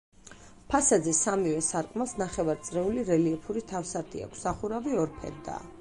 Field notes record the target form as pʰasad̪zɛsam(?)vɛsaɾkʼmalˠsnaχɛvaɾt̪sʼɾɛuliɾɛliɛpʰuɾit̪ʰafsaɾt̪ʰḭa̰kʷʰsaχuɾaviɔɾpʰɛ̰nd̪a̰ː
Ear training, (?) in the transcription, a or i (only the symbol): i